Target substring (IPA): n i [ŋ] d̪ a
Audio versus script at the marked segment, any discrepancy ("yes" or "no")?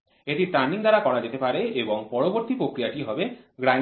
no